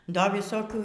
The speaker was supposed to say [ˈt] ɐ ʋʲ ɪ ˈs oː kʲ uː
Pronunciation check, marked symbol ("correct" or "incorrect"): incorrect